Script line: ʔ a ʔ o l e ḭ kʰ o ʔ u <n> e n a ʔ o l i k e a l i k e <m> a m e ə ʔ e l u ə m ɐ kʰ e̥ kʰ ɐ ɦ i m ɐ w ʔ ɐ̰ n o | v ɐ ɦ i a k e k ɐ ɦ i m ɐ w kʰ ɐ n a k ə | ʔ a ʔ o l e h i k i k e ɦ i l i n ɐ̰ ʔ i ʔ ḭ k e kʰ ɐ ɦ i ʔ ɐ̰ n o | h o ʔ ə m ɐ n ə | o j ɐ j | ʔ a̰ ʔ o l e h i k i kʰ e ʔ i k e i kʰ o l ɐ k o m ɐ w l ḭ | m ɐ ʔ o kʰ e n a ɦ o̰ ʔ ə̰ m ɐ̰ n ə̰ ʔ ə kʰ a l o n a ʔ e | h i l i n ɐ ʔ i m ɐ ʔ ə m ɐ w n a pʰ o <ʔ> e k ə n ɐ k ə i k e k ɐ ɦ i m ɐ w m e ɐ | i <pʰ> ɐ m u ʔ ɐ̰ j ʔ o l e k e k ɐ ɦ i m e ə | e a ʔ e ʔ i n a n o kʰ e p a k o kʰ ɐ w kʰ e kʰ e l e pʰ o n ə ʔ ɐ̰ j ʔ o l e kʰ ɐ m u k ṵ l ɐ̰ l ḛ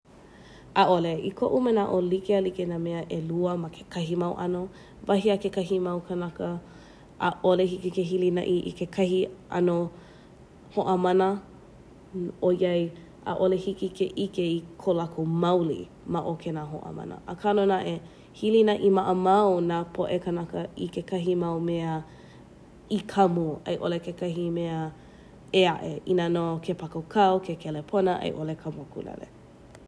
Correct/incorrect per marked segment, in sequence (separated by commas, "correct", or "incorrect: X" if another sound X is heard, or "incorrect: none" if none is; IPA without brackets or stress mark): incorrect: m, incorrect: n, correct, incorrect: kʰ